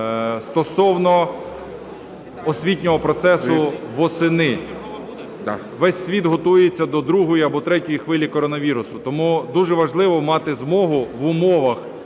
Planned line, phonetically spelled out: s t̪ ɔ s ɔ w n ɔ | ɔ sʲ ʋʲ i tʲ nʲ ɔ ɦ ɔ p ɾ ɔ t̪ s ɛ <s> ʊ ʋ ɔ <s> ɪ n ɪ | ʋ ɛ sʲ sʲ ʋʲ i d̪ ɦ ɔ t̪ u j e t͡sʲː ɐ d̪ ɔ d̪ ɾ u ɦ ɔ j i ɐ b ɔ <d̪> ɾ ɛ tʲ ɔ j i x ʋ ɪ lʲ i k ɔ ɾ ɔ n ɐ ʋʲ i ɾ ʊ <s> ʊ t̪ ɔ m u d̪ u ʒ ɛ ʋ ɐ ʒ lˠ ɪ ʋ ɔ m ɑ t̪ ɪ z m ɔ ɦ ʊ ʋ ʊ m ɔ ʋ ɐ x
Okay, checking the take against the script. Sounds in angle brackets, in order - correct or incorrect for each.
correct, correct, incorrect: t̪, correct

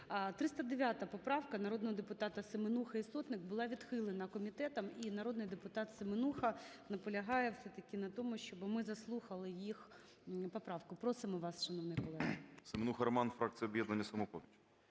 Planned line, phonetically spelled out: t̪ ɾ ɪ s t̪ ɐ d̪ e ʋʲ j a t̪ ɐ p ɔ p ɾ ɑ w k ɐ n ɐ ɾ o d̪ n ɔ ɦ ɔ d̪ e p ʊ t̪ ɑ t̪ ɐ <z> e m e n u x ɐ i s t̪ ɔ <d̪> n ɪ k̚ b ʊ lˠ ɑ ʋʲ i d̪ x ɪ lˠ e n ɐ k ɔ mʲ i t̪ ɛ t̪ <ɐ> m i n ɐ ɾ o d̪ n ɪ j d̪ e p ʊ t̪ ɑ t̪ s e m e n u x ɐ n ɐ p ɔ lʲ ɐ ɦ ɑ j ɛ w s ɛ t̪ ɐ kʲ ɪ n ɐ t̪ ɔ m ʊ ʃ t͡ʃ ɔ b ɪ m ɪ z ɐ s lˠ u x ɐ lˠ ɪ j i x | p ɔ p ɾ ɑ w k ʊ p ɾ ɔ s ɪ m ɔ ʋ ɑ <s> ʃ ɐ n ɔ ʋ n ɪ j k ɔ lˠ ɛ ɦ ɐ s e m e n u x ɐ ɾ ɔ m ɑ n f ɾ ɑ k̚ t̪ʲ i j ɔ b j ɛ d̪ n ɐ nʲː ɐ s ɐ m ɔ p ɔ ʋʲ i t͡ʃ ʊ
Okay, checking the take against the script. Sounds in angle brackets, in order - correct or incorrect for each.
incorrect: s, incorrect: t̪, correct, correct

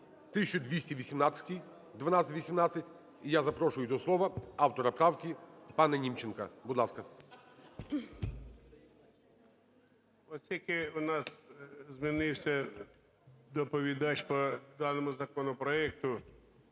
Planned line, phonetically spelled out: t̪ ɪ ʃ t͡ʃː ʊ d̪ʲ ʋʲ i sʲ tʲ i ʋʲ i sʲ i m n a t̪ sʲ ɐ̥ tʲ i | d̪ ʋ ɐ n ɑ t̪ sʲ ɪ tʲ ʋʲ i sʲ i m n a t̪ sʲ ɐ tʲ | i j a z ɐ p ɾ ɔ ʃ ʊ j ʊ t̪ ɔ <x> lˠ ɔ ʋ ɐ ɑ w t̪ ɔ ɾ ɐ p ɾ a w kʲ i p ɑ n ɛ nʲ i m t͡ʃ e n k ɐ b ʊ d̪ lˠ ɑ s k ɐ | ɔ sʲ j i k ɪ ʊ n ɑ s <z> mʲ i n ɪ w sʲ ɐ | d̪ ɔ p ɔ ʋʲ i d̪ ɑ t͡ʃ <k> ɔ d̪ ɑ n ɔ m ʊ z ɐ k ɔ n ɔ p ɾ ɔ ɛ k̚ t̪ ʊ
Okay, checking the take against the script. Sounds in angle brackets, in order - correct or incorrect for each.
incorrect: s, correct, incorrect: p

